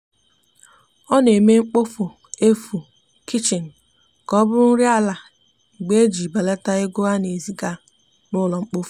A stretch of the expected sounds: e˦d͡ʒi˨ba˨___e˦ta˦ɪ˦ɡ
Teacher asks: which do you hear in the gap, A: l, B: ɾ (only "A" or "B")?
A